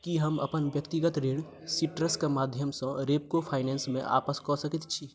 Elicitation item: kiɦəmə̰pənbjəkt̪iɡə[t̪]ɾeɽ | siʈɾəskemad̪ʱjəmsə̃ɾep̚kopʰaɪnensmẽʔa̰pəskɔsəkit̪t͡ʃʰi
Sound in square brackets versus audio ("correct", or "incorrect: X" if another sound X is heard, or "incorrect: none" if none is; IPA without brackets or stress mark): correct